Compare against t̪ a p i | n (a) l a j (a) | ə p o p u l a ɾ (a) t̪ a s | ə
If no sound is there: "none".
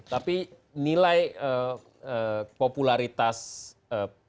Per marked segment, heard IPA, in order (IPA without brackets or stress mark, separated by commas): i, ə, i